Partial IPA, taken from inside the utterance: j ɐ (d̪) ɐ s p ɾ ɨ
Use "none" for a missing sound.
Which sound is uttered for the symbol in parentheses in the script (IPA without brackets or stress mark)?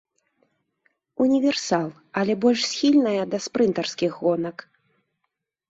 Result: d̪